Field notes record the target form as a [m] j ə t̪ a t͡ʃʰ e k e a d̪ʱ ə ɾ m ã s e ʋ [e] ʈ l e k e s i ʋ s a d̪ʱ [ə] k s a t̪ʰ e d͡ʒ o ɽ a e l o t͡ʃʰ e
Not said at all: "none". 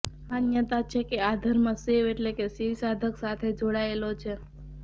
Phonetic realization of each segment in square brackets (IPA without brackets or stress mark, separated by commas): n, e, ə